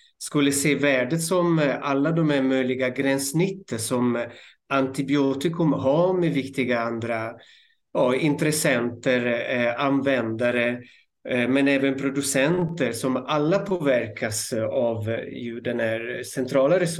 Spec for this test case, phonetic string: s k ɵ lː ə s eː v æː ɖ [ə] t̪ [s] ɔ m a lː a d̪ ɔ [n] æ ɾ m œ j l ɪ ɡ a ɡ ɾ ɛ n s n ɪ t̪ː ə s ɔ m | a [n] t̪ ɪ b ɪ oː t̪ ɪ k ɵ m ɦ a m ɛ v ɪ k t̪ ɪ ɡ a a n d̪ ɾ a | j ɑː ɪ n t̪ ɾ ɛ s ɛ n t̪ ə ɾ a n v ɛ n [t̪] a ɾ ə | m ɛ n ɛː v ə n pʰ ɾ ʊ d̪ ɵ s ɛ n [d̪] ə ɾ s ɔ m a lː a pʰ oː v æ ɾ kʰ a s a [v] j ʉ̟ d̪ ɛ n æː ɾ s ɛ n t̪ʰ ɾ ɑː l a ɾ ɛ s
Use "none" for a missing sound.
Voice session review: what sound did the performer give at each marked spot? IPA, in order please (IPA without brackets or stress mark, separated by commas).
ə, s, m, n, d̪, t̪, v